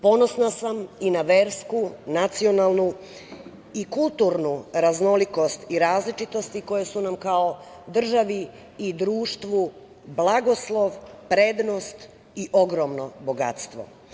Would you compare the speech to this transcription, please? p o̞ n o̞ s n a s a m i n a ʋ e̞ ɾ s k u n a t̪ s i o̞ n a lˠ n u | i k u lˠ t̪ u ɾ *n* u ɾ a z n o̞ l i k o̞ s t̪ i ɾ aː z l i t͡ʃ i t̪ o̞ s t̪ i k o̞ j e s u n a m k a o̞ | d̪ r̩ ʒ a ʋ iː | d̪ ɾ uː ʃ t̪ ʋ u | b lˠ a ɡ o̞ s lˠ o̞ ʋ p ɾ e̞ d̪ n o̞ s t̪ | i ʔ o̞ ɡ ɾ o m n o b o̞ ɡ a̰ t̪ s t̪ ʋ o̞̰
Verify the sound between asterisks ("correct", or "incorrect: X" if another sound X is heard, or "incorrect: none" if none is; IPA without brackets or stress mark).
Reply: correct